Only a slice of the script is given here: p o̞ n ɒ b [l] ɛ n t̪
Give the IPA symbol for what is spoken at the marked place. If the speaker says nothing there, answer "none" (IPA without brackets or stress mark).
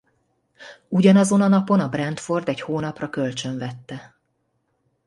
r